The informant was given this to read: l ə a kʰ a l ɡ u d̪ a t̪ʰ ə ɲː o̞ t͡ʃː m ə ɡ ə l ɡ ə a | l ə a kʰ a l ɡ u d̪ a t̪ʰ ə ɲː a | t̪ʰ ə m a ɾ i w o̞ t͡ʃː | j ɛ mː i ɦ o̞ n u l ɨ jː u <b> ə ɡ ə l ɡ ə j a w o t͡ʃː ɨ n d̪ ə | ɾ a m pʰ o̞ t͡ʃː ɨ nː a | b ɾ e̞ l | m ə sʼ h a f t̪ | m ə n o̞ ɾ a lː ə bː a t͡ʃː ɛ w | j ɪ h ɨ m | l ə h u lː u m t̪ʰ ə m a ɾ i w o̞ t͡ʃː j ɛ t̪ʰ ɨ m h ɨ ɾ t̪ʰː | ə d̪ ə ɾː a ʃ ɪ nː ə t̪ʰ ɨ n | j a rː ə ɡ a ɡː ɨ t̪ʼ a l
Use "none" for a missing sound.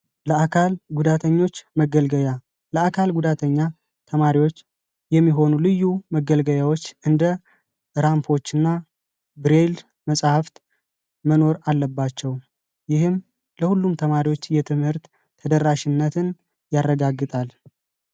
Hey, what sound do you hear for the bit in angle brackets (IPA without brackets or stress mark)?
m